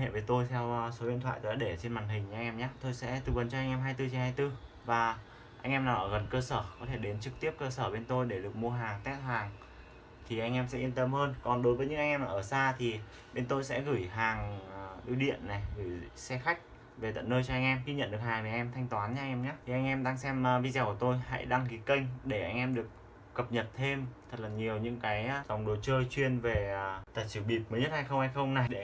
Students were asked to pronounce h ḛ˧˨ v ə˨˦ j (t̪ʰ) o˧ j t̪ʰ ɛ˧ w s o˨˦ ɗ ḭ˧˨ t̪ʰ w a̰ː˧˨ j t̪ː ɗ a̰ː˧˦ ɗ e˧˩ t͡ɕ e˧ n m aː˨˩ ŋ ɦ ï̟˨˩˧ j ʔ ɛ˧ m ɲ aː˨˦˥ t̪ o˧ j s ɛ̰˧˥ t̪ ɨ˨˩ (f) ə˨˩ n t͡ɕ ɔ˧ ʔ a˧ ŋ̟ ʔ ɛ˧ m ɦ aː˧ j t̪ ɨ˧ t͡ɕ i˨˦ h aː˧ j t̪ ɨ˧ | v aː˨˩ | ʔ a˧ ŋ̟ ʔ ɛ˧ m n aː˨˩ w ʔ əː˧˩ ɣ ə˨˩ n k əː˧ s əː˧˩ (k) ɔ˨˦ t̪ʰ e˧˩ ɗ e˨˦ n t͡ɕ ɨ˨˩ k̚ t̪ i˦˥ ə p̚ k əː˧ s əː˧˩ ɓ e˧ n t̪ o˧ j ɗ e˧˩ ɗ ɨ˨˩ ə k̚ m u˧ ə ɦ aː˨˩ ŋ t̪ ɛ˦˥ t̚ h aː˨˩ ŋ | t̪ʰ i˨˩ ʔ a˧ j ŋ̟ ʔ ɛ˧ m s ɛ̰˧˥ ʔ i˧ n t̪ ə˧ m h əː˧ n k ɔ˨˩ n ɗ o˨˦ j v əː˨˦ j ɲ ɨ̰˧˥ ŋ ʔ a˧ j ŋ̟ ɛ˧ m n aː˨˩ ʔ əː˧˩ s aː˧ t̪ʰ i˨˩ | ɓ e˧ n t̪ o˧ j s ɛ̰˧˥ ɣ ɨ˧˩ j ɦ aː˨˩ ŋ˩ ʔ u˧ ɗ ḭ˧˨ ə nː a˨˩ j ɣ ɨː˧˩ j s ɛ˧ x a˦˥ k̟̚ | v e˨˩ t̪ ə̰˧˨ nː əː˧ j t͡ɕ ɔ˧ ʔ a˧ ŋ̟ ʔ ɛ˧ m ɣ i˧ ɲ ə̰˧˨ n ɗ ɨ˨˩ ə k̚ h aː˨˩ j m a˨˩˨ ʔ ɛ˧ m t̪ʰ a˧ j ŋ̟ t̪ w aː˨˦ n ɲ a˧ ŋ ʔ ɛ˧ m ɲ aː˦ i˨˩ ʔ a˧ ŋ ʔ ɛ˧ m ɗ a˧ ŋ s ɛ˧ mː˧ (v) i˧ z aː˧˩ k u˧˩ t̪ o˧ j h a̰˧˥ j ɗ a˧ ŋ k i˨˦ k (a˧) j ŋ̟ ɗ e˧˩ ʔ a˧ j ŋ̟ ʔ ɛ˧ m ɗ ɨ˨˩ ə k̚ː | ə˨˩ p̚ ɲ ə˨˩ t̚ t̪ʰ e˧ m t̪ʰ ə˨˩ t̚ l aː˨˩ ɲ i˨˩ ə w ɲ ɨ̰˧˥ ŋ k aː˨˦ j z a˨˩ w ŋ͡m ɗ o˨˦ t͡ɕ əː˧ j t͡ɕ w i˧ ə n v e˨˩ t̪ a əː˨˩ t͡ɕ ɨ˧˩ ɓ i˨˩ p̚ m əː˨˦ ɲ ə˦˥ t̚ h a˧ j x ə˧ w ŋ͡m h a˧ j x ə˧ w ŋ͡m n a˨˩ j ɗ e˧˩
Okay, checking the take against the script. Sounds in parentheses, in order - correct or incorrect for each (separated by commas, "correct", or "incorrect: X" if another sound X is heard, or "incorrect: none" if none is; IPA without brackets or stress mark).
incorrect: t̪, incorrect: v, correct, correct, incorrect: ə˧